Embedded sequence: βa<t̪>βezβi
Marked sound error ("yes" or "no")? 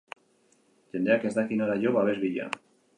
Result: yes